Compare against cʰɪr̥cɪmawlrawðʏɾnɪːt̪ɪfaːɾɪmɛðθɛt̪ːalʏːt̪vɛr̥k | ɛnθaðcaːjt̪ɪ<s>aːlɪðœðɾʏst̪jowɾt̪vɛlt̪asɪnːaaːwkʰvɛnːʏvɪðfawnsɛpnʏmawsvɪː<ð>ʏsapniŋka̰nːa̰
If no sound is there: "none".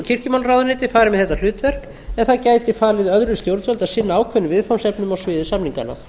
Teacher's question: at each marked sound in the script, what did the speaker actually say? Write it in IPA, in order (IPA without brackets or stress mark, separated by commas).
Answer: f, ð